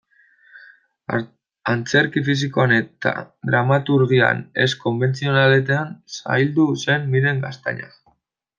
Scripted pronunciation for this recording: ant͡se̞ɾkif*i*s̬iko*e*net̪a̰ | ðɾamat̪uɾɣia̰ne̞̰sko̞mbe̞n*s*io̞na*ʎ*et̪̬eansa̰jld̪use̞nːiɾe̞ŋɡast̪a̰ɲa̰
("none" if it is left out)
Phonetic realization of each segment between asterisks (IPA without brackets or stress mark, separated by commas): i, a, t͡s, l